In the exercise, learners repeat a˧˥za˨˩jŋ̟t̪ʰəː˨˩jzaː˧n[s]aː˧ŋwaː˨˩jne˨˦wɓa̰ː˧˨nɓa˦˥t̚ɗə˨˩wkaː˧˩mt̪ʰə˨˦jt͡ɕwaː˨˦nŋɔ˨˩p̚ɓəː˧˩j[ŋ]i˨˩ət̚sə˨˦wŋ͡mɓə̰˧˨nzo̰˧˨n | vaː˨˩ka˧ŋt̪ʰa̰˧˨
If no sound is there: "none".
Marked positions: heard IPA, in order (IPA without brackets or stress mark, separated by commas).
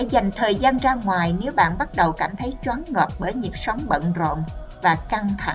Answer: z, ɲ